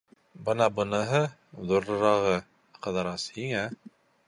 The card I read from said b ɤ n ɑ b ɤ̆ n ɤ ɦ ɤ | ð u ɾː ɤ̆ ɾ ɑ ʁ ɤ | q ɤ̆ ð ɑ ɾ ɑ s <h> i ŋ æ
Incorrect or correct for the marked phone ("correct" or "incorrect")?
correct